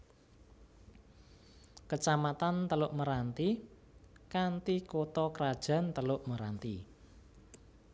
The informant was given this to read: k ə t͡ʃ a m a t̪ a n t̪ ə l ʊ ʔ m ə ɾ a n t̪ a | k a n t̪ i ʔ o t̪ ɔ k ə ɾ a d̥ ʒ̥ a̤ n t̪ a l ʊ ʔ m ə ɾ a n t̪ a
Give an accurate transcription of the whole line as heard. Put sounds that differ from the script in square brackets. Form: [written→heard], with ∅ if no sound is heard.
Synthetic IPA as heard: k ə t͡ʃ a m a t̪ a n t̪ ə l ʊ ʔ m ə ɾ a n t̪ [a→i] | k a n t̪ i [ʔ→k] o t̪ ɔ k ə ɾ a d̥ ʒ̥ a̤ n t̪ [a→ə] l ʊ ʔ m ə ɾ a n t̪ [a→i]